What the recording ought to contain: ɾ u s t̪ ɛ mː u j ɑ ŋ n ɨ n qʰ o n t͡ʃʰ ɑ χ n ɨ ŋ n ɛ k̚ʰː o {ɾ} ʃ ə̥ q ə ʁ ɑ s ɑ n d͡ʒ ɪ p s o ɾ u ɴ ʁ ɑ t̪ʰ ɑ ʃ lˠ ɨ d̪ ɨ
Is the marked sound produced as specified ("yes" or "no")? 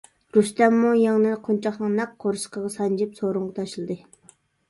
yes